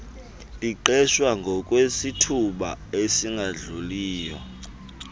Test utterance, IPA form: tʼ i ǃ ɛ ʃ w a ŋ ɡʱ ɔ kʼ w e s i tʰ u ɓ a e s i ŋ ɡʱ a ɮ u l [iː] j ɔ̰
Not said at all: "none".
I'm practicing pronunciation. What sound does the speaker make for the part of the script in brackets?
iː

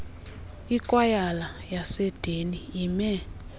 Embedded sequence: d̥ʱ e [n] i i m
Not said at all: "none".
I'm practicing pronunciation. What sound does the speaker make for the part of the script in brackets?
n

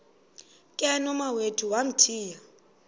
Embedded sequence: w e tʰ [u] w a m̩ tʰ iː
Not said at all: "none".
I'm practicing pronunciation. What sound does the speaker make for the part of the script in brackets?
u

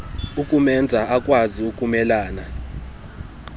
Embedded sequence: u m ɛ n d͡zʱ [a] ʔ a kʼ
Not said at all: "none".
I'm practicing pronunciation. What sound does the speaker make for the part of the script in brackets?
a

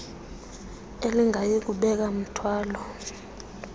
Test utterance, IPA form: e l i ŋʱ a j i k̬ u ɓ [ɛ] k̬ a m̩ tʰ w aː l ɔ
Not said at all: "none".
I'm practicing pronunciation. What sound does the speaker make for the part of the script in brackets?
ɛ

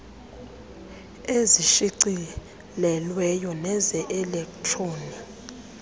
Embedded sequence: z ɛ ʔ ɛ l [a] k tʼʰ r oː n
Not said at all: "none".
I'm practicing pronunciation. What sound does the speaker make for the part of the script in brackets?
ɛ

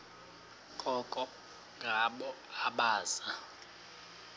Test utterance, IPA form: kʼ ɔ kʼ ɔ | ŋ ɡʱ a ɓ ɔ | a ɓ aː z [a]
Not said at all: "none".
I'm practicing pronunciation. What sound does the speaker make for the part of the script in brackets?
a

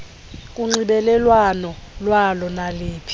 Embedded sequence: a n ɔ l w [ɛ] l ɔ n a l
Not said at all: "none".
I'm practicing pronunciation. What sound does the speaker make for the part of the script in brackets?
a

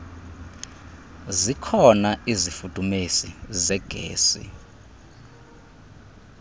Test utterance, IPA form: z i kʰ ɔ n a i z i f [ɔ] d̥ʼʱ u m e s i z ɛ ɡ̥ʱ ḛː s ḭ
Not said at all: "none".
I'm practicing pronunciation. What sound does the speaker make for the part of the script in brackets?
u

